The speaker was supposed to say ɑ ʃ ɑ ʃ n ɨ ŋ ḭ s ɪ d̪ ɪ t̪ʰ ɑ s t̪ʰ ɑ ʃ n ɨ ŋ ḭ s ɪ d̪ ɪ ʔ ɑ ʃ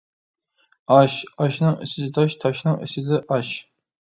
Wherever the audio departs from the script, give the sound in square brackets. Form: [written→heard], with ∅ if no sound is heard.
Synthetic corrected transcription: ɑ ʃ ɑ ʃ n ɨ ŋ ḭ s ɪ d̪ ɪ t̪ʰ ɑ [s→ʃ] t̪ʰ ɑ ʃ n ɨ ŋ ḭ s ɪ d̪ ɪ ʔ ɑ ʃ